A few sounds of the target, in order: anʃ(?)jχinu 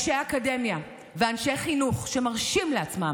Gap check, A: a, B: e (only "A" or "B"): B